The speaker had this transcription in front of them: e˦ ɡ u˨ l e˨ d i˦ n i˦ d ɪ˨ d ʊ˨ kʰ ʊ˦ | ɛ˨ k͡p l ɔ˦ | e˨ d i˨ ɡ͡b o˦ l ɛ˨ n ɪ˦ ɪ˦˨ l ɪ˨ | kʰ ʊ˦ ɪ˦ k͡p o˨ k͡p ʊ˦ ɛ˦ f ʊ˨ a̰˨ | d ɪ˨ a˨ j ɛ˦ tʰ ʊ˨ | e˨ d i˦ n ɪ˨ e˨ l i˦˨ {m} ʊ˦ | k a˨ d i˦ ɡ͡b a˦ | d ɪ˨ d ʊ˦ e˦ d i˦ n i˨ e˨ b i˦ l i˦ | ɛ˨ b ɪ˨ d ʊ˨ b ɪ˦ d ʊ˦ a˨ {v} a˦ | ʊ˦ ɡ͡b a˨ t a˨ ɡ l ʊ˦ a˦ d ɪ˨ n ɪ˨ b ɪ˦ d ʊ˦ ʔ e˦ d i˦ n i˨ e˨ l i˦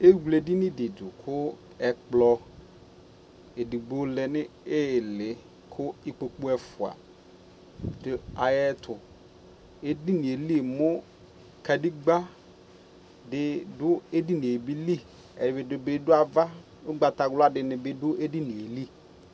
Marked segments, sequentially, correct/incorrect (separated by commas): correct, correct